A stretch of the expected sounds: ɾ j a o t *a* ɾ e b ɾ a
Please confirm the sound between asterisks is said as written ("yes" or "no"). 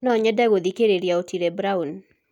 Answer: no